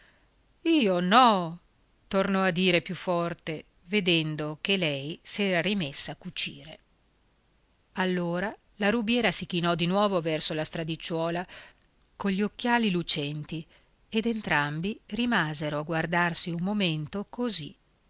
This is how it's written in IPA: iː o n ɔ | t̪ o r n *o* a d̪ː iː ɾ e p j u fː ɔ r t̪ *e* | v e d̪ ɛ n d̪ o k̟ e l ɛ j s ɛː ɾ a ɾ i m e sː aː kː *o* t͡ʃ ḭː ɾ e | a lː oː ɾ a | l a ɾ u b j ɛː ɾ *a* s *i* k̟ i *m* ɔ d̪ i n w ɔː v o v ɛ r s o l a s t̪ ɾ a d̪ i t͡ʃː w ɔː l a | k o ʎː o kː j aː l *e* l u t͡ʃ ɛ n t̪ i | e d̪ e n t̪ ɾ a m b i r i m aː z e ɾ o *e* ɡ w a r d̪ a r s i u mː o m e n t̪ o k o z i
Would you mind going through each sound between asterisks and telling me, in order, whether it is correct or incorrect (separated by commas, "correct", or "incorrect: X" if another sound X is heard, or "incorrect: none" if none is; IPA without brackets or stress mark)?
incorrect: ɔ, correct, incorrect: u, correct, correct, incorrect: n, incorrect: i, incorrect: a